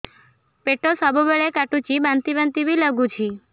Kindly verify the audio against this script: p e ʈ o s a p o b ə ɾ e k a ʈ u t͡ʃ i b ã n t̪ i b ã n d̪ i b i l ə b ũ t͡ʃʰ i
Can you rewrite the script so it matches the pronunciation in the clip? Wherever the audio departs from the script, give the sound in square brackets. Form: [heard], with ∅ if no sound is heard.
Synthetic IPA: p e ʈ o s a [b] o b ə [ɭ] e k a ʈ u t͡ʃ i b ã n t̪ i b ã n [t̪] i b i l ə [ɡ] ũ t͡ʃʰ i

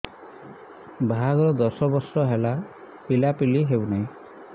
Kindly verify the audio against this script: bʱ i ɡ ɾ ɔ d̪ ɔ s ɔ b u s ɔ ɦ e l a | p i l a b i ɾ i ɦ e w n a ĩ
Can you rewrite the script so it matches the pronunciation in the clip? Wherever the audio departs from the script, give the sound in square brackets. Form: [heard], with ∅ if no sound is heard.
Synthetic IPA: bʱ [a] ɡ ɾ ɔ d̪ ɔ s ɔ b [ɔ] s ɔ ɦ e l a | p i l a [p] i [l] i ɦ e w n a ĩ

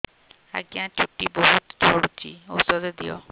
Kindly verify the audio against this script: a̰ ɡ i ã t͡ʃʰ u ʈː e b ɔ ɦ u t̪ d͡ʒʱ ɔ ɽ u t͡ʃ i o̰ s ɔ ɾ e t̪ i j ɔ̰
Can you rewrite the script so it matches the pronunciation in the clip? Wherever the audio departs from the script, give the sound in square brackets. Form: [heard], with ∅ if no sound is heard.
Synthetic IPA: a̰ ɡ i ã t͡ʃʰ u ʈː [i] b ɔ ɦ u t̪ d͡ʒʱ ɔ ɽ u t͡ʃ i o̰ s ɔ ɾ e [d̪] i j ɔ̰

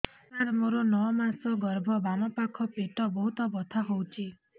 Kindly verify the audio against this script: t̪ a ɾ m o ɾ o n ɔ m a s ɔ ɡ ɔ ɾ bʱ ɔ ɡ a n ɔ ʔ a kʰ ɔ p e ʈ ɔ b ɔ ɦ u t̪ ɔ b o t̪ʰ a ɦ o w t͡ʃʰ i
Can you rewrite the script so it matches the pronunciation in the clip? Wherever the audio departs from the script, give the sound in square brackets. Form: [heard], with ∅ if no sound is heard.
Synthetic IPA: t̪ a ɾ m o ɾ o n ɔ m a s ɔ ɡ ɔ ɾ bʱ ɔ [b] a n ɔ [p] a kʰ ɔ p e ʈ ɔ b ɔ ɦ u t̪ ɔ b [ɔ] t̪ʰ a ɦ o w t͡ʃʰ i

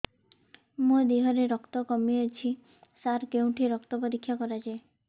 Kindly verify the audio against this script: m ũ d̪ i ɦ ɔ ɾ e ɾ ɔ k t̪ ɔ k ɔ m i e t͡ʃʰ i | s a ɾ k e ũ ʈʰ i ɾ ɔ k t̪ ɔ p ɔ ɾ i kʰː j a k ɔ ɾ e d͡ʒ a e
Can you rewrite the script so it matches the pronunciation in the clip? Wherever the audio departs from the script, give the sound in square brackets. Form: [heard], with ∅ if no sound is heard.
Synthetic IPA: m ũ d̪ i ɦ ɔ ɾ e ɾ ɔ k t̪ ɔ k ɔ m i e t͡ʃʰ i | s a ɾ k e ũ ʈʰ i ɾ ɔ k t̪ ɔ p ɔ ɾ i kʰː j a k ɔ ɾ [a] d͡ʒ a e

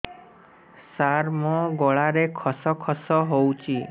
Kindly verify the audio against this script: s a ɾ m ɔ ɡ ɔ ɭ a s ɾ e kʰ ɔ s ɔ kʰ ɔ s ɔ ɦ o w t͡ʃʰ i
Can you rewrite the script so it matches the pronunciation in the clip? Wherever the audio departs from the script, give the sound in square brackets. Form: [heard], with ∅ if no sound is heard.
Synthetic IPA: s a ɾ m ɔ ɡ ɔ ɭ a [∅] ɾ e kʰ ɔ s ɔ kʰ ɔ s ɔ ɦ o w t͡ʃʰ i

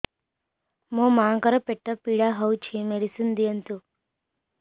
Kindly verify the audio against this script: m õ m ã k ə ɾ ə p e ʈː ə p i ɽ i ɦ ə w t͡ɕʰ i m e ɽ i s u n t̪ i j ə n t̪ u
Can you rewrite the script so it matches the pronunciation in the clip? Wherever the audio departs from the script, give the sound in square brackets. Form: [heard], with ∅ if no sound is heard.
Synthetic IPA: m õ m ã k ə ɾ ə p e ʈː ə p i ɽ [a] ɦ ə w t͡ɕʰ i m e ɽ i s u n [d̪] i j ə n t̪ u

